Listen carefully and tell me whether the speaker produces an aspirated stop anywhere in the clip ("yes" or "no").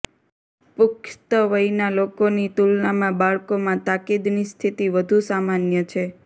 yes